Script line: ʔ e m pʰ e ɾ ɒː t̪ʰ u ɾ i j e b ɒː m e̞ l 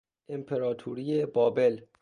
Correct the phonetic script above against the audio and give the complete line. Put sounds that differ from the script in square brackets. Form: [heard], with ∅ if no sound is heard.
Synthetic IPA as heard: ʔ e m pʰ e ɾ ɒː t̪ʰ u ɾ i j e b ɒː [b] e̞ l